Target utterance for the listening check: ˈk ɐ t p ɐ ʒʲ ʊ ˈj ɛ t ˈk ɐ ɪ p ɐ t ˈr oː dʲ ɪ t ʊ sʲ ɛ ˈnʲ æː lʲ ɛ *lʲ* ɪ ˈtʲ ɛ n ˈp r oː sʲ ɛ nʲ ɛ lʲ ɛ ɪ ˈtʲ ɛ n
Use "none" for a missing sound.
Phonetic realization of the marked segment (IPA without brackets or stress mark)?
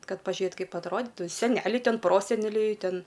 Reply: none